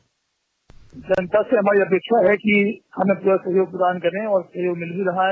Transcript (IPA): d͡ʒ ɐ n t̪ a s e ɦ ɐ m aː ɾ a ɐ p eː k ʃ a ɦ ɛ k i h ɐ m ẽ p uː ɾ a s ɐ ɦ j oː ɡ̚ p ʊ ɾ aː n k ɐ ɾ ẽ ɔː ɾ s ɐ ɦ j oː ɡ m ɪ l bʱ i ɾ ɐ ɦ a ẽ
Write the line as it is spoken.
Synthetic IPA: d͡ʒ ɐ n t̪ a s e ɦ ɐ m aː ɾ i ɐ p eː k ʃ a ɦ ɛ k i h ɐ m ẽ p uː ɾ a s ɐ ɦ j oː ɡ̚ p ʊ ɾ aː n k ɐ ɾ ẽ ɔː ɾ s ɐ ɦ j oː ɡ m ɪ l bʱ i ɾ ɐ ɦ a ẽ

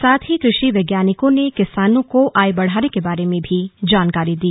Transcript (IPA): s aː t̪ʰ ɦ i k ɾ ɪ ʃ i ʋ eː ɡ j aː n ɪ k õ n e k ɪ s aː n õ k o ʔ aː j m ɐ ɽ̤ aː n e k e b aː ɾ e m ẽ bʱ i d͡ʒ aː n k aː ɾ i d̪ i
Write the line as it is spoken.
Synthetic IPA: s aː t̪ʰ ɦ i k ɾ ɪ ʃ i ʋ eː ɡ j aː n ɪ k õ n e k ɪ s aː n õ k o ʔ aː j b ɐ ɽ̤ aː n e k e b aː ɾ e m ẽ bʱ i d͡ʒ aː n k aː ɾ i d̪ iː

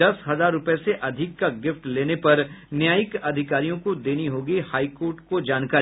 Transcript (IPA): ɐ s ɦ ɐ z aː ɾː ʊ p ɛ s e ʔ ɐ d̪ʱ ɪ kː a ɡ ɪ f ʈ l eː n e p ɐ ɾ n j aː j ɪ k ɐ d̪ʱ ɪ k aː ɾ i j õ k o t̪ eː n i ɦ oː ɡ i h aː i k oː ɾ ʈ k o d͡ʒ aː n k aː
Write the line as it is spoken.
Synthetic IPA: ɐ s ɦ ɐ z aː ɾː ʊ p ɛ s e ʔ ɐ d̪ʱ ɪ kː a ɡ ɪ f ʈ l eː n e p ɐ ɾ n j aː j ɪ k ɐ d̪ʱ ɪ k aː ɾ i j õ k o d̪ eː n i ɦ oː ɡ i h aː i k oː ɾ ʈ k o d͡ʒ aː n k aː

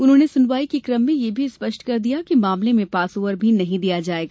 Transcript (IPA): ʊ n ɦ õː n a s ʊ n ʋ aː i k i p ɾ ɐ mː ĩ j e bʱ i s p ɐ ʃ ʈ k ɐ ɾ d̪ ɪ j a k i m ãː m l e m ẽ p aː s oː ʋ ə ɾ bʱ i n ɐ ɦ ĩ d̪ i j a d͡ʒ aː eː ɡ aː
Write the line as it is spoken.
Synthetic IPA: ʊ n ɦ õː n e s ʊ n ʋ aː i k i k ɾ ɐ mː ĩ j e bʱ i s p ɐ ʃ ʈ k ɐ ɾ d̪ i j a k i m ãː m l e m ẽ p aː s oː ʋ ə ɾ bʱ i n ɐ ɦ ĩ d̪ i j a d͡ʒ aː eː ɡ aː

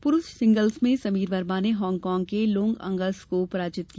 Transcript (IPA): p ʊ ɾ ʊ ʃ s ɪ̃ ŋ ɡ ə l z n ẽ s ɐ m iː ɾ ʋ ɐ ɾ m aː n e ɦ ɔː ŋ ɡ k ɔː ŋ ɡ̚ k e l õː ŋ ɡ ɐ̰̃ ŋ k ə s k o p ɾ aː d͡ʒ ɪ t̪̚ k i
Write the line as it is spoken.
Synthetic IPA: p ʊ ɾ ʊ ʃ s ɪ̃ ŋ ɡ ə l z m ẽ s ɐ m iː ɾ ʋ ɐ ɾ m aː n e ɦ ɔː ŋ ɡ k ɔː ŋ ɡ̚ k e l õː ŋ ɡ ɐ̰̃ ŋ ɡ ə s k o p ɾ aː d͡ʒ ɪ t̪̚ k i

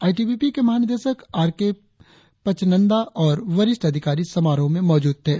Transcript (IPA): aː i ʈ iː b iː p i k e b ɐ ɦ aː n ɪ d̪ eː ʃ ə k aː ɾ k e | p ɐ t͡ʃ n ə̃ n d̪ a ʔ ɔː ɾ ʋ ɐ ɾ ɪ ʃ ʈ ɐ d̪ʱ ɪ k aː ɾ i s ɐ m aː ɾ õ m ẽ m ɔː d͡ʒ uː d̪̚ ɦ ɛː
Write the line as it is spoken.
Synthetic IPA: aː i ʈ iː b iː p i k e m ɐ ɦ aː n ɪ d̪ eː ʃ ə k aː ɾ k e | p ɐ t͡ʃ n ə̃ n d̪ a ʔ ɔː ɾ ʋ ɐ ɾ ɪ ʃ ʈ ɐ d̪ʱ ɪ k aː ɾ i s ɐ m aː ɾ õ m ẽ m ɔː d͡ʒ uː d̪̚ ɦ ɛː

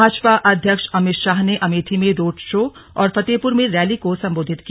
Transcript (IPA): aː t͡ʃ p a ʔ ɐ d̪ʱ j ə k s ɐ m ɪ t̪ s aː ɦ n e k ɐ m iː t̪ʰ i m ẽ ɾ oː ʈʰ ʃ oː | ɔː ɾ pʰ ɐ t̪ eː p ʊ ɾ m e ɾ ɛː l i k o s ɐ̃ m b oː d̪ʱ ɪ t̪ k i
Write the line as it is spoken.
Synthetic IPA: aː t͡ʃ p a ʔ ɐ d̪ʱ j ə k ʃ ɐ m ɪ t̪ ʃ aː ɦ n e ʔ ɐ m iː t̪ʰ i m ẽ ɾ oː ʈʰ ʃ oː | ɔː ɾ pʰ ɐ t̪ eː p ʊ ɾ m ẽ ɾ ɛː l i k o s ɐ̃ m b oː d̪ʱ ɪ t̪ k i

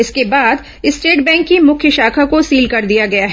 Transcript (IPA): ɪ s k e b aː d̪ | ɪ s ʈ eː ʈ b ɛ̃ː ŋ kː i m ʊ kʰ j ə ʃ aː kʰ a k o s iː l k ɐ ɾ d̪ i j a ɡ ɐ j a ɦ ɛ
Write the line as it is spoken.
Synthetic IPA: ɪ s k e b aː d̪ | ɪ s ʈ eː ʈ b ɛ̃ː ŋ kː i m ʊ kʰ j ə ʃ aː kʰ a k o s iː l k ɐ ɾ d̪ i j a ɡ ɐ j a ɦ ɛ

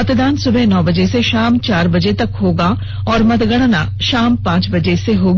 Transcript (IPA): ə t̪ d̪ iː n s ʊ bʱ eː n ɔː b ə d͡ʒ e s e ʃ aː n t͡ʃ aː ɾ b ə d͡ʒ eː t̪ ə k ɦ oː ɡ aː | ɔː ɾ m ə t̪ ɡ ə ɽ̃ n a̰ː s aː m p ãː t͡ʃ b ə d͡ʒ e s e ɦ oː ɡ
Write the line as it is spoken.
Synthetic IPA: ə t̪ d̪ aː n s ʊ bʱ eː n ɔː b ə d͡ʒ e s e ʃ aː m t͡ʃ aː ɾ b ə d͡ʒ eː t̪ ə k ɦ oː ɡ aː | ɔː ɾ m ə t̪ ɡ ə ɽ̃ n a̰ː ʃ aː m p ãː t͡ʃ b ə d͡ʒ e s e ɦ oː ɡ

